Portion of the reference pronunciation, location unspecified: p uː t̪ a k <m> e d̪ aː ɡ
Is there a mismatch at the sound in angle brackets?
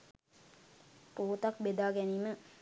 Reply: yes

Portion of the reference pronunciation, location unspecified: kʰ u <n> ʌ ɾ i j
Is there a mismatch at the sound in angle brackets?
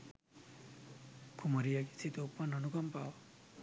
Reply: yes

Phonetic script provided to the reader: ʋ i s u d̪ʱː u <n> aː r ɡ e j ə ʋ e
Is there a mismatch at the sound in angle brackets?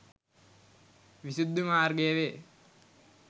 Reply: yes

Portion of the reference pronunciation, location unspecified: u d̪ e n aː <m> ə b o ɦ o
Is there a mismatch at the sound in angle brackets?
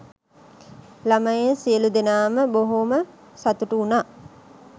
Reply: no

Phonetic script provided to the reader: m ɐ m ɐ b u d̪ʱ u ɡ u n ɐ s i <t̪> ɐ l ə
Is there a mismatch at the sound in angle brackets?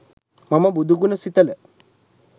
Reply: no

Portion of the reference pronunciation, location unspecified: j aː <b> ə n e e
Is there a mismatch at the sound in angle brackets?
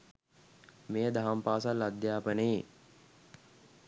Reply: yes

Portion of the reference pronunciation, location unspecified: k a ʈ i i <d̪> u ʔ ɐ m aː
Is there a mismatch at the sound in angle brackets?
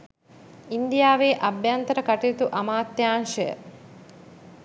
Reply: yes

